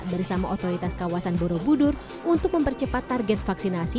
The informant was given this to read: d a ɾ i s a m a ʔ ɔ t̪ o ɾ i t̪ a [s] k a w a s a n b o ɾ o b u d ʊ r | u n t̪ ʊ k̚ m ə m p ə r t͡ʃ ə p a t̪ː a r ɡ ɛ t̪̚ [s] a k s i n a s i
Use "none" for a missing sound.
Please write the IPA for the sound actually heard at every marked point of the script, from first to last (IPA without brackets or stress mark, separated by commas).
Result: s, f